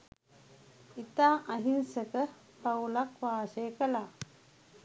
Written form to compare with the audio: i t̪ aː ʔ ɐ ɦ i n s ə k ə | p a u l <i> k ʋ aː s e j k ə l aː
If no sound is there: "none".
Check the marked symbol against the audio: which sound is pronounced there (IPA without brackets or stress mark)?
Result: a